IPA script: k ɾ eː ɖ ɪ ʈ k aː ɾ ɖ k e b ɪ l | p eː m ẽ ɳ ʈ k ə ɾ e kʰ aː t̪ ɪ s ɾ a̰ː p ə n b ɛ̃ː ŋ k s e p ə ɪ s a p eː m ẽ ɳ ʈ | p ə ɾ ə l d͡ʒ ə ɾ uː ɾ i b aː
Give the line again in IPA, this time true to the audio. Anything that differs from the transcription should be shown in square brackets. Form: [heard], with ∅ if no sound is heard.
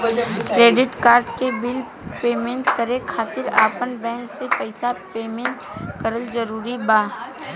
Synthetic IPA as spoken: k ɾ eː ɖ ɪ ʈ k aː ɾ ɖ k e b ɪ l | p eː m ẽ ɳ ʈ k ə ɾ e kʰ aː t̪ ɪ [∅] ɾ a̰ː p ə n b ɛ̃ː ŋ k s e p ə ɪ s a p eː m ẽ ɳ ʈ | [k] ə ɾ ə l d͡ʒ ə ɾ uː ɾ i b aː